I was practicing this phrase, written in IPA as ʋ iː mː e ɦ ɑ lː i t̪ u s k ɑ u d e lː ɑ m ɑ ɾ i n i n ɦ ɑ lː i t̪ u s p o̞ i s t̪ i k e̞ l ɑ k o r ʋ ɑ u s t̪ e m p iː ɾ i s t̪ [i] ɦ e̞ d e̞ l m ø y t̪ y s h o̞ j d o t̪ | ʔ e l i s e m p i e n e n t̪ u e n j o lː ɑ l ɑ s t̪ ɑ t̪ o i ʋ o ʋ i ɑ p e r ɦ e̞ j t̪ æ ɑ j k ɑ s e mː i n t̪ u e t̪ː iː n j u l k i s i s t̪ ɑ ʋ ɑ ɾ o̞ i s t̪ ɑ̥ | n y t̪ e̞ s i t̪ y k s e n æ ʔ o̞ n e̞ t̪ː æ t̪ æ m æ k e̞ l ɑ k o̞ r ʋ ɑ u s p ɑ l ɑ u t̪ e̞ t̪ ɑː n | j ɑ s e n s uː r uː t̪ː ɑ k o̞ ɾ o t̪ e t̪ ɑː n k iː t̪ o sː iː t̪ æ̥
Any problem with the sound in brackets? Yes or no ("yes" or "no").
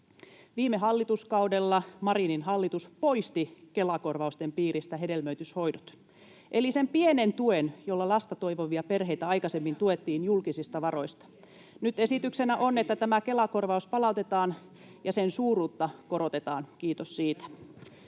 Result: yes